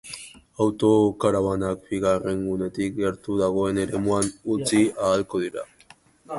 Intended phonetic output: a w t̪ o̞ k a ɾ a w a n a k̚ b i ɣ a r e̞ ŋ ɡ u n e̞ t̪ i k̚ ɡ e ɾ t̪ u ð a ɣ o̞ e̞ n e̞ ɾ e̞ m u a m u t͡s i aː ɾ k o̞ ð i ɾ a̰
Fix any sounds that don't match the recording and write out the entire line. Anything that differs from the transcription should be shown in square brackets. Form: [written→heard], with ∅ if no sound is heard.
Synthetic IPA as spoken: a w t̪ o̞ k a ɾ a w a n a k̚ b i ɣ a r e̞ ŋ ɡ u n e̞ t̪ i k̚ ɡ e ɾ t̪ u ð a ɣ o̞ e̞ n e̞ ɾ e̞ m u a [m→n] u t͡s i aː [ɾ→l] k o̞ ð i ɾ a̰